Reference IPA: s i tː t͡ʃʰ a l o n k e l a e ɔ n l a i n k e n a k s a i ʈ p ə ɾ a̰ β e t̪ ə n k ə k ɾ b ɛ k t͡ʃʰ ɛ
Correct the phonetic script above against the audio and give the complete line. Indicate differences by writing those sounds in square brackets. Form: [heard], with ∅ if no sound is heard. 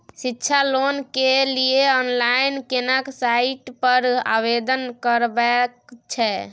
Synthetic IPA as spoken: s i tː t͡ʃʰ a l o n k e l [i] e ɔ n l a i n k e n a k s a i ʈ p ə ɾ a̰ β e [d̪] ə n k ə [∅] ɾ b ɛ k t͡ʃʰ ɛ